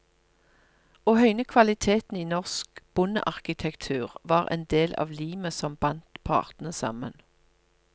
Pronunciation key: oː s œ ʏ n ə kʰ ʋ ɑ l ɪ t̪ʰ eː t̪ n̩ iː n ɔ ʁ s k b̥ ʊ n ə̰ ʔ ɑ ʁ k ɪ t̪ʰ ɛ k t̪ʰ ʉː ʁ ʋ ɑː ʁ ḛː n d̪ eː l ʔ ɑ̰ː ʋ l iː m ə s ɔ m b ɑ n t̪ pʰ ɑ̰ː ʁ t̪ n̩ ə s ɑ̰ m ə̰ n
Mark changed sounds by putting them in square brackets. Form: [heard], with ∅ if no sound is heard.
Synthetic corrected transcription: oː [h] œ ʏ n ə kʰ ʋ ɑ l ɪ t̪ʰ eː t̪ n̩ iː n ɔ ʁ s k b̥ ʊ n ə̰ ʔ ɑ ʁ k ɪ t̪ʰ ɛ k t̪ʰ ʉː ʁ ʋ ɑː ʁ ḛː n d̪ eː l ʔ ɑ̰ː ʋ l iː m ə s ɔ m b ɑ n t̪ pʰ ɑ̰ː ʁ t̪ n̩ ə s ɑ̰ m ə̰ n